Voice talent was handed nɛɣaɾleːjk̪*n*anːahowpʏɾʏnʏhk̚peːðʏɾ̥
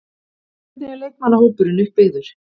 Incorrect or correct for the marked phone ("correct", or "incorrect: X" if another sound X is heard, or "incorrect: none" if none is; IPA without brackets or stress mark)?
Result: incorrect: m